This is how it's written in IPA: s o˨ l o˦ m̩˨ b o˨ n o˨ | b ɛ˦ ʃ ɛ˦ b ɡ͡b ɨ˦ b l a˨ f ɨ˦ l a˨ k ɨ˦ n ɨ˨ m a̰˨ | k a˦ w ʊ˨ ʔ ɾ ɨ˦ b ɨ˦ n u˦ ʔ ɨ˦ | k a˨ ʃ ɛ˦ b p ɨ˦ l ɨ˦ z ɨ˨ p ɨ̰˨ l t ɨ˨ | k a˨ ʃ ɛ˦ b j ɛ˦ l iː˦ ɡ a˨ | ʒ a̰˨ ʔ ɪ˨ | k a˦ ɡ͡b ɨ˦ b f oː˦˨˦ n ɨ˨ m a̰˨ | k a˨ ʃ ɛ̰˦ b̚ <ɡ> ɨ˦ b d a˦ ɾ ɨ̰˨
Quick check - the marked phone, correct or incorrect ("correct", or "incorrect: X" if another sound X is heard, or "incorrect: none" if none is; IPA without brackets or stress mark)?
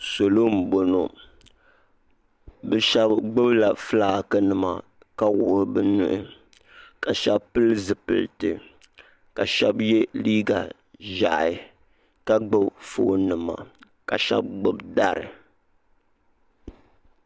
incorrect: ɡ͡b